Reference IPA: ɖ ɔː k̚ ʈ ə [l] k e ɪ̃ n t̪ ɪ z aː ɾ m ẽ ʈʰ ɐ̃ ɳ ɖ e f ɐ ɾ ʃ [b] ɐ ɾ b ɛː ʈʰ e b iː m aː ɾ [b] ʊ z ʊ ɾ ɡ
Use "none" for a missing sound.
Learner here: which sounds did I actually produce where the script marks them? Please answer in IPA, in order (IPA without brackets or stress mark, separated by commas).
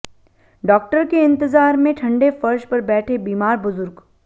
ɾ, p, b